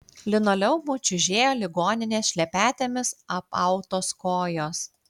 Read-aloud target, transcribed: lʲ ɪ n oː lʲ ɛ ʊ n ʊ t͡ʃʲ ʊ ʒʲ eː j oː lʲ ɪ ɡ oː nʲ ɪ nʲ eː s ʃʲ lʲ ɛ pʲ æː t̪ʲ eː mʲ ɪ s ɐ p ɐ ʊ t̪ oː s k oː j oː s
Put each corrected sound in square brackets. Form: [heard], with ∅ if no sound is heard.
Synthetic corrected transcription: lʲ ɪ n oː lʲ ɛ ʊ [m] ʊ t͡ʃʲ ʊ ʒʲ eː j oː lʲ ɪ ɡ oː nʲ ɪ nʲ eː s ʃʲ lʲ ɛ pʲ æː t̪ʲ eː mʲ ɪ s ɐ p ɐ ʊ t̪ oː s k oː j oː s

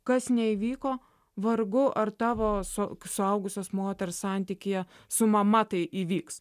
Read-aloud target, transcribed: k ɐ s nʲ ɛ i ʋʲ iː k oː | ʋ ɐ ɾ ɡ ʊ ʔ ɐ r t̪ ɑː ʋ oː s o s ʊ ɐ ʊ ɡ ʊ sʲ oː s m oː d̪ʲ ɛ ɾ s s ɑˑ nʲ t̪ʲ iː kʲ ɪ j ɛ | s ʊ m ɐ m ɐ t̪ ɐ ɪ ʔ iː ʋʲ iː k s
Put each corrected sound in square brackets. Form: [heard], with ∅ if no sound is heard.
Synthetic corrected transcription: k ɐ s nʲ ɛ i ʋʲ iː k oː | ʋ ɐ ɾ ɡ ʊ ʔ ɐ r t̪ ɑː ʋ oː s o s ʊ ɐ ʊ ɡ ʊ sʲ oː s m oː [t̪ʲ] ɛ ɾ s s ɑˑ nʲ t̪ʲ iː kʲ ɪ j ɛ | s ʊ m ɐ m ɐ t̪ ɐ ɪ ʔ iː ʋʲ iː k s

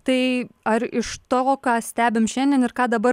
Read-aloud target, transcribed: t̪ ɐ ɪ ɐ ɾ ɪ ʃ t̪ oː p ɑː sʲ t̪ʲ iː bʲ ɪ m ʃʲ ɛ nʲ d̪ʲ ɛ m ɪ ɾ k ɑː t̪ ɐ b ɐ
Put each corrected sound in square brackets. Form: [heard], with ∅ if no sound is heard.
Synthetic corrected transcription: t̪ ɐ ɪ ɐ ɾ ɪ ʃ t̪ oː [k] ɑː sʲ t̪ʲ [æː] bʲ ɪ m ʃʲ ɛ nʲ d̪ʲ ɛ [n] ɪ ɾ k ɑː [d̪] ɐ b ɐ

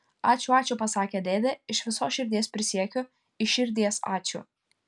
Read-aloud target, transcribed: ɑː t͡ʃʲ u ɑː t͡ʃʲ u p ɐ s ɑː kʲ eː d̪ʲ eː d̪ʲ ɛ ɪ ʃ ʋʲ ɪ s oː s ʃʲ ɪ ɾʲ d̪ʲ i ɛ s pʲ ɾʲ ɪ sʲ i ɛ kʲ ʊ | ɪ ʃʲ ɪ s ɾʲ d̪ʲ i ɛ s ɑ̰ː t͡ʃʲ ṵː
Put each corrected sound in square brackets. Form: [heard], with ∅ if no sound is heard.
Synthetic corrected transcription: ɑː t͡ʃʲ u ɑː t͡ʃʲ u p ɐ s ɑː kʲ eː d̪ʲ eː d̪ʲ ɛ ɪ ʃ ʋʲ ɪ s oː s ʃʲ ɪ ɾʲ d̪ʲ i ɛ s pʲ ɾʲ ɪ sʲ i ɛ kʲ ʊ | ɪ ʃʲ ɪ [∅] ɾʲ d̪ʲ i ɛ s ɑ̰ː t͡ʃʲ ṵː

